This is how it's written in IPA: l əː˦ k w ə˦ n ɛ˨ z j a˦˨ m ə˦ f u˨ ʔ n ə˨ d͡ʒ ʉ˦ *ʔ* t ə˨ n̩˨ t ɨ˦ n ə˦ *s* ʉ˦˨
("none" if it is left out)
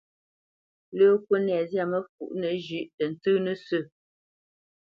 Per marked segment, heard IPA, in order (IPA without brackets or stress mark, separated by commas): ʔ, s